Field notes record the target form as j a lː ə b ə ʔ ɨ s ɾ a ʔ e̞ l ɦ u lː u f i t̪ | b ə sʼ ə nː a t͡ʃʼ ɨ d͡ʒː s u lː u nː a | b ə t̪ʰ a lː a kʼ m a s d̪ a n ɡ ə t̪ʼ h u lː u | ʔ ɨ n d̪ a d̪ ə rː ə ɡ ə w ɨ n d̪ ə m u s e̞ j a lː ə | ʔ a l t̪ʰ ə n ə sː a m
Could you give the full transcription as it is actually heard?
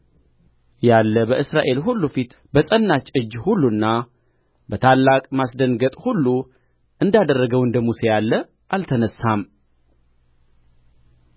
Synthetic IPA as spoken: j a lː ə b ə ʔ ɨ s ɾ a ʔ e̞ l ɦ u lː u f i t̪ | b ə sʼ ə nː a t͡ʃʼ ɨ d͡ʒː h u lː u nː a | b ə t̪ʰ a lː a kʼ m a s d̪ ə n ɡ ə t̪ʼ h u lː u | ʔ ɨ n d̪ a d̪ ə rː ə ɡ ə w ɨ n d̪ ə m u s e̞ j a lː ə | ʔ a l t̪ʰ ə n ə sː a m